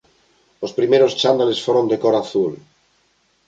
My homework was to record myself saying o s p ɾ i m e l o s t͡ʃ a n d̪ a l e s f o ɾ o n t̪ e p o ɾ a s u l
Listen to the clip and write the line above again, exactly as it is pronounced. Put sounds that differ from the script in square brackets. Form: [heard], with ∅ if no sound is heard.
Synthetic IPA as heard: o s p ɾ i m e [ɾ] o s t͡ʃ a n d̪ a l e s f o ɾ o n [d̪] e [k] o ɾ a [θ] u l